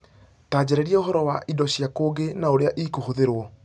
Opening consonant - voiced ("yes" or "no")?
no